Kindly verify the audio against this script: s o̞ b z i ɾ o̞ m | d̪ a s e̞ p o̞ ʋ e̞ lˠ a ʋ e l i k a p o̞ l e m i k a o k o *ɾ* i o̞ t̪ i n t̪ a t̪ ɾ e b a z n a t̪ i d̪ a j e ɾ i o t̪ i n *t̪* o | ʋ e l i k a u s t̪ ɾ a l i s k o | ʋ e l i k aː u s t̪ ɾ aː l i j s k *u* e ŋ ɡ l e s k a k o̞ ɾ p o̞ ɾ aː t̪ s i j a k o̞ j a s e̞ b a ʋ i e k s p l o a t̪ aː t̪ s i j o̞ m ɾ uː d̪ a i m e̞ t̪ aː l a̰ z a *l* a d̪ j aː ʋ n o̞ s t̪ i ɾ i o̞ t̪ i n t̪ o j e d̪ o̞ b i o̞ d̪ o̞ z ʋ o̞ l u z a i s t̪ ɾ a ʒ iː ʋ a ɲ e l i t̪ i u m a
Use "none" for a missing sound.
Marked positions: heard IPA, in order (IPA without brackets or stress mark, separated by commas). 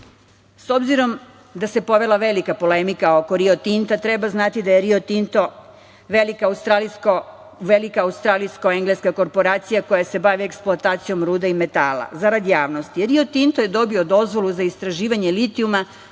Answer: ɾ, t̪, o, ɾ